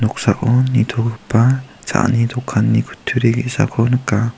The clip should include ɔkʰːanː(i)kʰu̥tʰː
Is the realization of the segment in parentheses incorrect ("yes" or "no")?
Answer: no